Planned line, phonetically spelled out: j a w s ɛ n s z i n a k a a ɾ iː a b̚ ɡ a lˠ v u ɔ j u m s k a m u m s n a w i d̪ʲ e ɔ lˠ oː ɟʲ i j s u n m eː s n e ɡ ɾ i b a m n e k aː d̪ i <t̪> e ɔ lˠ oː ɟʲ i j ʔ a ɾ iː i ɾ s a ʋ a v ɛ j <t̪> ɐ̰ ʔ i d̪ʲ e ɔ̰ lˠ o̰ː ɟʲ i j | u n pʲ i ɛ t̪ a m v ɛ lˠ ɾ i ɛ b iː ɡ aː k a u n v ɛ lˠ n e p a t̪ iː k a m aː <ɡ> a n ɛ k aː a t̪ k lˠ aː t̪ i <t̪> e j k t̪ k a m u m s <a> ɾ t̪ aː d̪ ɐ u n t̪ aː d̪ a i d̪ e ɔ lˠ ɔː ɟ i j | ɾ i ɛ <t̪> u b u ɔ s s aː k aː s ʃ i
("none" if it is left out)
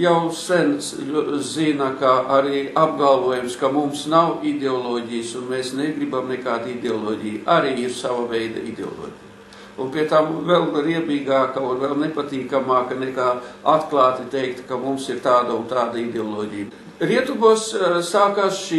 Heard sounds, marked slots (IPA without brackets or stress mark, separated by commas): d̪, d̪, k, t̪, i, t̪